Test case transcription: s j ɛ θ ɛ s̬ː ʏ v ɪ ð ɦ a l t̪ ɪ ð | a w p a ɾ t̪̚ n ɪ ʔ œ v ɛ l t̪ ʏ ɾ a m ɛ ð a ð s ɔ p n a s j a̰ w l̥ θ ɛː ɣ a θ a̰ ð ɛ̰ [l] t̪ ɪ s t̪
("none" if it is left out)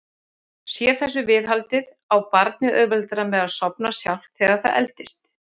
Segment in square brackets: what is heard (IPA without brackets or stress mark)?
l